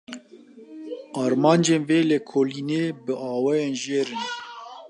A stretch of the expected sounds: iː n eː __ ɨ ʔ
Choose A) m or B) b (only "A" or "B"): B